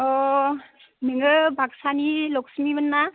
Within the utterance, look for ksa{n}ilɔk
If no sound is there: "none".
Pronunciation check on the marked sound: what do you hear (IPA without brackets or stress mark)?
n